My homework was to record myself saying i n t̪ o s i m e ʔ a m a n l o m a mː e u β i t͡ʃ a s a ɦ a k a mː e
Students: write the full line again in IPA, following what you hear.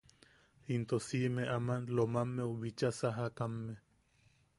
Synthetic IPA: i n t̪ o s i m e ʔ a m a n l o m a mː e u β i t͡ʃ a s a ɦ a k a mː e